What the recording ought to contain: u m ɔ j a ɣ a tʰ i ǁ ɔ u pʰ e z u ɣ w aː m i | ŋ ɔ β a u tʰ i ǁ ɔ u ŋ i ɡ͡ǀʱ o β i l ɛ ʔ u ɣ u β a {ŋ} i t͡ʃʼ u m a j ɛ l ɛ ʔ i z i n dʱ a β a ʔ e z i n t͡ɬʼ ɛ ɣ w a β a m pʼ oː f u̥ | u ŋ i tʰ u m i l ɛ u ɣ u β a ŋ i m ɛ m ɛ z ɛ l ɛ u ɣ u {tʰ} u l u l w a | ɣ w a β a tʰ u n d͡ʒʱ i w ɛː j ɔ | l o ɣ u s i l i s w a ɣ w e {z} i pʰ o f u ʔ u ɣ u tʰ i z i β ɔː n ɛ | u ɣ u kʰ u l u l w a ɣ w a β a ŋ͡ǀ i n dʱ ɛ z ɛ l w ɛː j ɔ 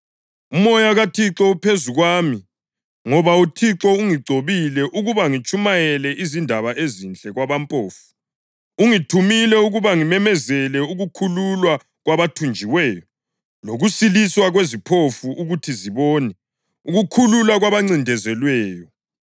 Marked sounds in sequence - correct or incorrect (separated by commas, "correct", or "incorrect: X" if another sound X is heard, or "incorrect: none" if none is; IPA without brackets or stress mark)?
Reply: correct, incorrect: kʰ, correct